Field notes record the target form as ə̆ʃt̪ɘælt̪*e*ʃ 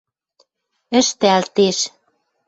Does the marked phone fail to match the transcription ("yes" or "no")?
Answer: no